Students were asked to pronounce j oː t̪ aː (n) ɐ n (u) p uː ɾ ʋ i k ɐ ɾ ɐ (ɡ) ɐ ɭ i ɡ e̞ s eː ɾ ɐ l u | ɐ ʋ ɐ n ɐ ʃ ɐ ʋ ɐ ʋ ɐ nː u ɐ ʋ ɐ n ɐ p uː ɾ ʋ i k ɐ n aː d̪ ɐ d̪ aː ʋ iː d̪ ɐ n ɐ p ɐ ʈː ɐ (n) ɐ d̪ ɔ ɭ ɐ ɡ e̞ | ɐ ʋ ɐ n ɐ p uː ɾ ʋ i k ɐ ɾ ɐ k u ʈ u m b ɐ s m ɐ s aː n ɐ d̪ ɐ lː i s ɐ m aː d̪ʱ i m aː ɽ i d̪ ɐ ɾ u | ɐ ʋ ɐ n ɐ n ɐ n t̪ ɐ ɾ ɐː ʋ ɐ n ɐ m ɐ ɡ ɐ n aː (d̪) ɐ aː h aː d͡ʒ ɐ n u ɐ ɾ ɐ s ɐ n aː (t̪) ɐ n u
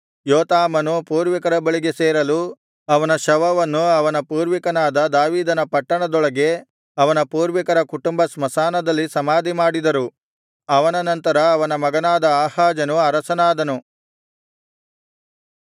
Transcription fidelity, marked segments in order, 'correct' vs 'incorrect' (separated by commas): incorrect, correct, incorrect, incorrect, correct, incorrect